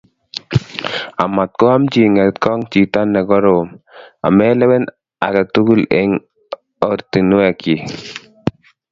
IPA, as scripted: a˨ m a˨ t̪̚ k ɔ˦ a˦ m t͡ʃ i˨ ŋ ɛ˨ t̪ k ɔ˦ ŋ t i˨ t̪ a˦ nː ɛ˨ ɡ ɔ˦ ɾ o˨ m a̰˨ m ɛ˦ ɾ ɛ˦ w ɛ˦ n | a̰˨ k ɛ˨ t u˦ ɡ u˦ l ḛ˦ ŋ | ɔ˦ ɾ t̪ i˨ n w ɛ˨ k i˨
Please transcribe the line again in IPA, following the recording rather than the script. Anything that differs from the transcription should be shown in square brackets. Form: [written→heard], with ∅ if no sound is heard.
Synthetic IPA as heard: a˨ m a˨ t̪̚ k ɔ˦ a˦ m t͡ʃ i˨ ŋ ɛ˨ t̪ k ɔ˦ ŋ [t→t͡ʃ] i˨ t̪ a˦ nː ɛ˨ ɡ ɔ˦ ɾ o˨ m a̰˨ m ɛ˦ [ɾ→l] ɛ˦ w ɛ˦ n | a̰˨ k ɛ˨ t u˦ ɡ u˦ l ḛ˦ ŋ | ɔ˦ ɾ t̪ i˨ n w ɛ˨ k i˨